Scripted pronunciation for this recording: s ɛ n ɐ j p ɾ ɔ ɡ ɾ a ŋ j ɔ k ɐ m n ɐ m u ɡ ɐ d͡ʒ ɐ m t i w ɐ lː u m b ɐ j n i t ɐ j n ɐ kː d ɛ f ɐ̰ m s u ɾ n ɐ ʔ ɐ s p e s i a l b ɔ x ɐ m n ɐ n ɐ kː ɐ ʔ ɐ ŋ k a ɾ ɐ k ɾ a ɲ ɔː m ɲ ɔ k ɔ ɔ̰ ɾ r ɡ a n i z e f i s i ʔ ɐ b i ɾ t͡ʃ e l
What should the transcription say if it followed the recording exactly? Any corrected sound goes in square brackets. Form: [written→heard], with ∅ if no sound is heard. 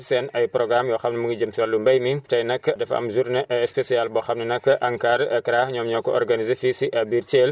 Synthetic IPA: s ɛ n ɐ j p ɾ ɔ ɡ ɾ a [ŋ→m] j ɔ [k→x] ɐ m n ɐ m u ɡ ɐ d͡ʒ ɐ m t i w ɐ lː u m b ɐ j [n→m] i t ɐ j n ɐ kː d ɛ f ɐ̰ m [s→z] u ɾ n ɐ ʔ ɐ s p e s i a l b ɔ x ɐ m n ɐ n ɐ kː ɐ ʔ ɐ ŋ k a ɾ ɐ k ɾ a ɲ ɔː m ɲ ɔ k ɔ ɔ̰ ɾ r ɡ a n i z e f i s i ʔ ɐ b i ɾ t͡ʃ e l